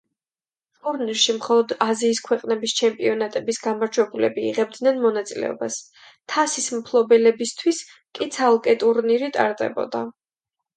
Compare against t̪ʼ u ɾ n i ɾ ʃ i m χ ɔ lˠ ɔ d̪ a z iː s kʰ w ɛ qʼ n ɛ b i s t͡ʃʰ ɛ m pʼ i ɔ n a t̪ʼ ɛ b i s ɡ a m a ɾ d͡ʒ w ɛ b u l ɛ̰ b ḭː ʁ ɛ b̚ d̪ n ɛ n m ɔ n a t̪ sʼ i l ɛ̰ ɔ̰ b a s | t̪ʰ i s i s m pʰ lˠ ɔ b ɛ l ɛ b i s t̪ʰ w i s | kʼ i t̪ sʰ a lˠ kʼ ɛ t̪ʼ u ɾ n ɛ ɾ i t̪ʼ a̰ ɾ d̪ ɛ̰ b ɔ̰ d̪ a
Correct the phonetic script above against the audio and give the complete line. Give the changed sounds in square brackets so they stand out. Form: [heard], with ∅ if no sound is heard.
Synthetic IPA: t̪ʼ u ɾ n i ɾ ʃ i m χ ɔ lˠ ɔ d̪ a z iː s kʰ w ɛ qʼ n ɛ b i s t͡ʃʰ ɛ m pʼ i ɔ n a t̪ʼ ɛ b i s ɡ a m a ɾ d͡ʒ w ɛ b u l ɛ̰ b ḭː ʁ ɛ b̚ d̪ n ɛ n m ɔ n a t̪ sʼ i l ɛ̰ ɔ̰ b a s | t̪ʰ [a] s i s m pʰ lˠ ɔ b ɛ l ɛ b i s t̪ʰ w i s | kʼ i t̪ sʰ a lˠ kʼ ɛ t̪ʼ u ɾ n [i] ɾ i t̪ʼ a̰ ɾ d̪ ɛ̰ b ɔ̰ d̪ a